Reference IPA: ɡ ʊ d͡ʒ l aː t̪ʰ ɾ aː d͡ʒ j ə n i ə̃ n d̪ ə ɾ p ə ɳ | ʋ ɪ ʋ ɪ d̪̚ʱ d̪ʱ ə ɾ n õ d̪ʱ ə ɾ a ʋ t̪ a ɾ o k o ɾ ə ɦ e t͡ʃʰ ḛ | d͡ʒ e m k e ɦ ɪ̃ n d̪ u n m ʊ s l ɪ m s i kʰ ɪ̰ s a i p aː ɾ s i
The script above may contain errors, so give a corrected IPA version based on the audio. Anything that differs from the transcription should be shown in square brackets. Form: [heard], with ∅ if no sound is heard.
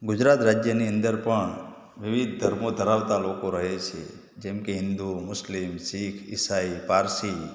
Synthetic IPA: ɡ ʊ d͡ʒ [ɾ] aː [t̪] ɾ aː d͡ʒ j ə n i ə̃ n d̪ ə ɾ p ə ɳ | ʋ ɪ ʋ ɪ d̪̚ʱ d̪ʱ ə ɾ [m] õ d̪ʱ ə ɾ a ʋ t̪ a [l] o k o ɾ ə ɦ e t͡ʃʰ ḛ | d͡ʒ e m k e ɦ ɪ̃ n d̪ u [∅] m ʊ s l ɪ m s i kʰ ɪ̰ s a i p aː ɾ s i